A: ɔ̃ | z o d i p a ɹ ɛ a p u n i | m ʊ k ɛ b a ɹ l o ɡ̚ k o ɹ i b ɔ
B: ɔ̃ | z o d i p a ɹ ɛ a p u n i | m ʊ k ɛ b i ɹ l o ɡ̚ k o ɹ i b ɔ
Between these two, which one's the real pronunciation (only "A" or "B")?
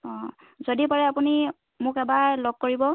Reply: A